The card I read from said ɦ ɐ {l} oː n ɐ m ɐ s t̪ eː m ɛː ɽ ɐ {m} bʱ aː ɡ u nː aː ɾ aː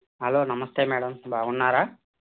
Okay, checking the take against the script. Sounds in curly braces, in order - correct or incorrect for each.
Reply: correct, correct

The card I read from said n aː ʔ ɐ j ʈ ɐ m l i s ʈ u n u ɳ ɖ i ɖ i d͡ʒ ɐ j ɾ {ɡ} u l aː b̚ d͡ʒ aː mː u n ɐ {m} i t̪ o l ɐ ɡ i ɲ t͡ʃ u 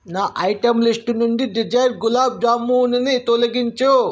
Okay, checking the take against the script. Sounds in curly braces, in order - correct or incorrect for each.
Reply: correct, incorrect: n

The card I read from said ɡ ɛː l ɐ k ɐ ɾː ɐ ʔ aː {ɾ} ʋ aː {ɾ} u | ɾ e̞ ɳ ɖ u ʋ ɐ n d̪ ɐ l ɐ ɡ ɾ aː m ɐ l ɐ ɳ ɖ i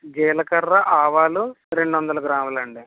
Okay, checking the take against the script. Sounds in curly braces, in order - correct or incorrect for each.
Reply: incorrect: none, incorrect: l

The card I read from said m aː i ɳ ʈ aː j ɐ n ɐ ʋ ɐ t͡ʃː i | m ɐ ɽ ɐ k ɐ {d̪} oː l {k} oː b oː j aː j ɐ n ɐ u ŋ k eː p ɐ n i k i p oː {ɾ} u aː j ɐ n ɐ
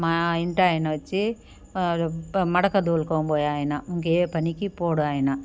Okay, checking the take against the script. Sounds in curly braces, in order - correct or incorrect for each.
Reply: correct, correct, incorrect: ɽ

